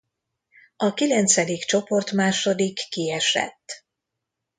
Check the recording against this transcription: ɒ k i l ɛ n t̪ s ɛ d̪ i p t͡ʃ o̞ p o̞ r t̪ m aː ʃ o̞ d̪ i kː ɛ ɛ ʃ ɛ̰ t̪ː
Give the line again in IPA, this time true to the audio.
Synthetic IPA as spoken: ɒ k i l ɛ n t̪ s ɛ d̪ i k t͡ʃ o̞ p o̞ r t̪ m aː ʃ o̞ d̪ i kː i ɛ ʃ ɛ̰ t̪ː